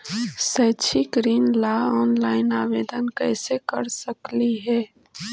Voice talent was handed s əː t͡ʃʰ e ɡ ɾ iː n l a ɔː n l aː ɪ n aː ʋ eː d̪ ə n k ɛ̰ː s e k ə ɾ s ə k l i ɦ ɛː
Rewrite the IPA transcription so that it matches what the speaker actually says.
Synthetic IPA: s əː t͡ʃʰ i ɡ ɾ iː n l a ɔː n l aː ɪ n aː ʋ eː d̪ ə n k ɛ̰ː s e k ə ɾ s ə k l i ɦ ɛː